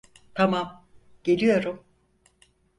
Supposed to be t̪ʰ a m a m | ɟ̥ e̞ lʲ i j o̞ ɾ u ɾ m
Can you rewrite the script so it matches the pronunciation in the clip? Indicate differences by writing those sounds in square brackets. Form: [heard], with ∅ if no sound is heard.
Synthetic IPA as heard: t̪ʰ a m a m | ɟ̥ e̞ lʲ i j o̞ ɾ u [∅] m

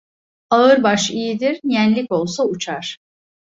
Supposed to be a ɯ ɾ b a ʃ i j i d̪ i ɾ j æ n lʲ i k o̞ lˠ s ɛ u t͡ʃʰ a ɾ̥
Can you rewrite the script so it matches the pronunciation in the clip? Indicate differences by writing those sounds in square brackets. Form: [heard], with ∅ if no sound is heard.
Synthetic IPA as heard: a ɯ ɾ b a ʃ i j i d̪ i ɾ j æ n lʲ i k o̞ lˠ s [a] u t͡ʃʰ a ɾ̥

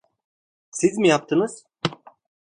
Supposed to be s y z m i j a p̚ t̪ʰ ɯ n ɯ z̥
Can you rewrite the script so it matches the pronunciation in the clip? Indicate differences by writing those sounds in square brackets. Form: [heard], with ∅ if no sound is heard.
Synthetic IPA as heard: s [i] z m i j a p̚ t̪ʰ ɯ n ɯ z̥

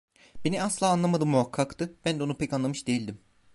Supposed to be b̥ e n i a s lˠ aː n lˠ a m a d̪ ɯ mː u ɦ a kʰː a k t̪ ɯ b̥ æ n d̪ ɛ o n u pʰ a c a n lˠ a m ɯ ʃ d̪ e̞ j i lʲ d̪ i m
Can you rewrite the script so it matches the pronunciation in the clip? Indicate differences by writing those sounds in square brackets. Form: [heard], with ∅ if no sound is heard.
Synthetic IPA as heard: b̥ e n i a s lˠ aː n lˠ a m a d̪ ɯ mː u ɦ a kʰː a k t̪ ɯ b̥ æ n d̪ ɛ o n u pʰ [ɛ] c a n lˠ a m ɯ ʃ d̪ e̞ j i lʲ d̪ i m

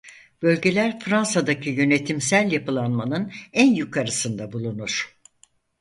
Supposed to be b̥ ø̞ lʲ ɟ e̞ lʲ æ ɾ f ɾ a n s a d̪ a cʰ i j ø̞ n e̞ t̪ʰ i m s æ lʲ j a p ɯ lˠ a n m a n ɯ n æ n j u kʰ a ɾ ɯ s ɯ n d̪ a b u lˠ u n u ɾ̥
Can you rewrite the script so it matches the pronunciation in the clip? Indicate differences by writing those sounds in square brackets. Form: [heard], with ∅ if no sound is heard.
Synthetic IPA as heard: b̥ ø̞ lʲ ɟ e̞ lʲ æ ɾ f ɾ a n s a d̪ a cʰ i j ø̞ n e̞ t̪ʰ i m s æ lʲ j a p ɯ lˠ a n m a n ɯ n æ n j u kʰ a ɾ ɯ s ɯ n d̪ a b u lˠ u n u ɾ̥

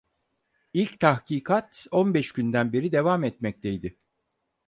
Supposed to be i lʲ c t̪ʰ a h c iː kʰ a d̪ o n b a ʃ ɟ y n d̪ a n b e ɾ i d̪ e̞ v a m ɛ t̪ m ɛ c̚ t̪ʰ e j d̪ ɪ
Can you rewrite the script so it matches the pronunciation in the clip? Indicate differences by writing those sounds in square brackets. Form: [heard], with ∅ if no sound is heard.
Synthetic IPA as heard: i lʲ c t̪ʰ a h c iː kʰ a [t̪] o n b [ɛ] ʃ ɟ y n d̪ [æ] n b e ɾ i d̪ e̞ v a m ɛ t̪ m ɛ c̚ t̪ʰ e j d̪ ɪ

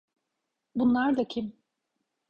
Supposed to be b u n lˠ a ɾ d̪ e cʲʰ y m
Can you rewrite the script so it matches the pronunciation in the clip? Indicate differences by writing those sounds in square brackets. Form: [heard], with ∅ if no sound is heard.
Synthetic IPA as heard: b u n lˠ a ɾ d̪ [a] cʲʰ [i] m

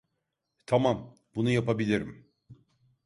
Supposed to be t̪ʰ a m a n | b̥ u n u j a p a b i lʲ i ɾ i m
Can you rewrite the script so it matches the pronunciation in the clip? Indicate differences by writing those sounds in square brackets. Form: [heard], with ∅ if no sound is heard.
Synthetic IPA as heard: t̪ʰ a m a [m] | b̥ u n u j a p a b i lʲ i ɾ i m

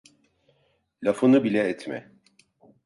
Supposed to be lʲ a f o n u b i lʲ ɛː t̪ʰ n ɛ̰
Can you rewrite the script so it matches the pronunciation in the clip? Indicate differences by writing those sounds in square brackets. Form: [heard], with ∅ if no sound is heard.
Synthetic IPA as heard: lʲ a f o n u b i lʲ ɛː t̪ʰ [m] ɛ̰

